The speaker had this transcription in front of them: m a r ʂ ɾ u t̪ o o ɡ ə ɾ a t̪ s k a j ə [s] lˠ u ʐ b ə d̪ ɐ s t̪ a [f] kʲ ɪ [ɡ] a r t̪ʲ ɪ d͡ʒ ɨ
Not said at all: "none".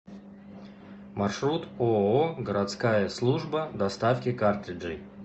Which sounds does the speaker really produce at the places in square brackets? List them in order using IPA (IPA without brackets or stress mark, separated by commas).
s, f, k